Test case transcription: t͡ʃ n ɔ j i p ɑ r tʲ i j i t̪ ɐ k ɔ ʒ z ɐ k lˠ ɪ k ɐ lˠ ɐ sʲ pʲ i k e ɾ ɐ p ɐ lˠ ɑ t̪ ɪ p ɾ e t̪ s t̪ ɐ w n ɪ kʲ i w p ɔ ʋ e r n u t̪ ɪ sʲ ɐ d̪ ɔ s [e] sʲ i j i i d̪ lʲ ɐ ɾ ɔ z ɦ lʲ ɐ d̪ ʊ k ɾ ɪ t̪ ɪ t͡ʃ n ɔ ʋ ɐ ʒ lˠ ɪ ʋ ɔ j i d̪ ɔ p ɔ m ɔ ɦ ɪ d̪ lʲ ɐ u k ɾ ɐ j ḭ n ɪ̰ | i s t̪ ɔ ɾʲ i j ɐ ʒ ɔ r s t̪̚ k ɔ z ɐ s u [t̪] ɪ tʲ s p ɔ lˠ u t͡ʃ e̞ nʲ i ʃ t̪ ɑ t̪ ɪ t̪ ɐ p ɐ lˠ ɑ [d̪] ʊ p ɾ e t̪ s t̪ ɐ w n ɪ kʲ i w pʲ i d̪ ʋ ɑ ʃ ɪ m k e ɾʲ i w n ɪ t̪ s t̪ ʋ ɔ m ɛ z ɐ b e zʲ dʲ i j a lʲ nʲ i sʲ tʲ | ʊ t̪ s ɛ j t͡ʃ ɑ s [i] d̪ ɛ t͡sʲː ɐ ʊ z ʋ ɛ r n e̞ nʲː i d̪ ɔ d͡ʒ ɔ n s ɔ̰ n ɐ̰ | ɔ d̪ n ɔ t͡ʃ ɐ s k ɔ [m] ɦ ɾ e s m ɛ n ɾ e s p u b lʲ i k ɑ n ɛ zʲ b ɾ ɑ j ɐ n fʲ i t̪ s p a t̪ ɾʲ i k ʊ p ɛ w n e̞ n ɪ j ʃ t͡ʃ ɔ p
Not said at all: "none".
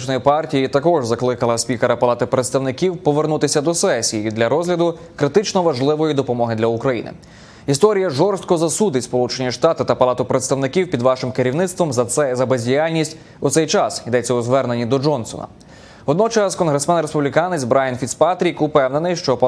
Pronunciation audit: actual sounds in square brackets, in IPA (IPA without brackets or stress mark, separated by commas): ɛ, d̪, t̪, i, n